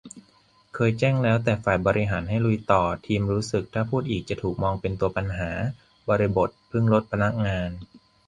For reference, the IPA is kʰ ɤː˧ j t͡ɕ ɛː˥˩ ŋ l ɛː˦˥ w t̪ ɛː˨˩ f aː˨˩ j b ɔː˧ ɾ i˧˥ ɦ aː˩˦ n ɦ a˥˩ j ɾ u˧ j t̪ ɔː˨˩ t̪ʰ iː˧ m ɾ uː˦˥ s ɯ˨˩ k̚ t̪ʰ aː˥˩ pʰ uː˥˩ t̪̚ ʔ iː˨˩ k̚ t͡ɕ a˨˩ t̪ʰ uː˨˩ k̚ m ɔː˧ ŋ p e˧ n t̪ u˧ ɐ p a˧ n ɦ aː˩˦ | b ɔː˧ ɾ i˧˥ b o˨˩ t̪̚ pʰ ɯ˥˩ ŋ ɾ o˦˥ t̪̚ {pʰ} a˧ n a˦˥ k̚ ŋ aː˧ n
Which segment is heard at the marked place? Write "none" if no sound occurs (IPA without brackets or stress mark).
pʰ